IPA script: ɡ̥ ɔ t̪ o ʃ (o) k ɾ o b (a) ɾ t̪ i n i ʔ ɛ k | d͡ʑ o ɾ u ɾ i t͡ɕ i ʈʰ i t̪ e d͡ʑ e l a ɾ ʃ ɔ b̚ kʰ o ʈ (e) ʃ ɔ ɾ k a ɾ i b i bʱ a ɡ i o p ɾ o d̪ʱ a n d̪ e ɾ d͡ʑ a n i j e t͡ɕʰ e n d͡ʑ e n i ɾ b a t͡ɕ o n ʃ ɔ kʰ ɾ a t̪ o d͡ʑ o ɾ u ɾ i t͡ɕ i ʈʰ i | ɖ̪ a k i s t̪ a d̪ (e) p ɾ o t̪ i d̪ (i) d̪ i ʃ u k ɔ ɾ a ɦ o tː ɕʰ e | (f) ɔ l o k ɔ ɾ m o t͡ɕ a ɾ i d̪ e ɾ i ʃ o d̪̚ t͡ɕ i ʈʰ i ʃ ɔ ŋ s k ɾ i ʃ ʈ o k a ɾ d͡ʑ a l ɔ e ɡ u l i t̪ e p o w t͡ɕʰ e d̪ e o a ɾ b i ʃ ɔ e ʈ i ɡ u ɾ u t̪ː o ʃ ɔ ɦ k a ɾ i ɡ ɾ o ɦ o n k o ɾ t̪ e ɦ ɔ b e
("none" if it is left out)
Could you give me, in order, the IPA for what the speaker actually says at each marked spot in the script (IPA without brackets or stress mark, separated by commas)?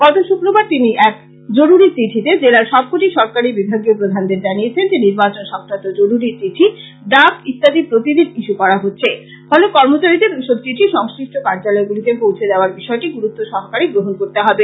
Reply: u, a, i, i, i, f